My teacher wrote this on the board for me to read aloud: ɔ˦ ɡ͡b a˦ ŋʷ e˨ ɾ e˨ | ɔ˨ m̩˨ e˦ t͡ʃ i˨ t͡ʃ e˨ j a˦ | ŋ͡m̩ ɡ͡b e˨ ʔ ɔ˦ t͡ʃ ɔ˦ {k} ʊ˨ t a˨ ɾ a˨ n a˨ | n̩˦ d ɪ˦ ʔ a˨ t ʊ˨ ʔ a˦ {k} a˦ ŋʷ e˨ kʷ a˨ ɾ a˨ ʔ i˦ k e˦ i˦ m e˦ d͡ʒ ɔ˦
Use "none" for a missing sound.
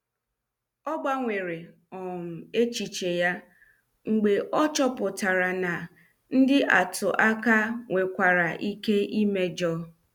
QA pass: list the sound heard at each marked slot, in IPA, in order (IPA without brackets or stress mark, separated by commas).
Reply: p, k